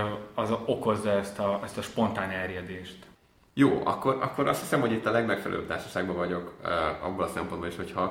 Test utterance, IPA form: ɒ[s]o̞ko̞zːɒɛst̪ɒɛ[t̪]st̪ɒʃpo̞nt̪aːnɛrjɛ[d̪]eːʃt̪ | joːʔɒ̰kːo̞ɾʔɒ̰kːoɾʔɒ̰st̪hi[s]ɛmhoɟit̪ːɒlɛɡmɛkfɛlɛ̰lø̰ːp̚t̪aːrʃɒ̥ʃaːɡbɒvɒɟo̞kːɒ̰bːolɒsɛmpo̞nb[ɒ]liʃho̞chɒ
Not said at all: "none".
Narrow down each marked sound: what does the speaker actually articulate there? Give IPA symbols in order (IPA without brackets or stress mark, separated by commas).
z, none, d̪, s, o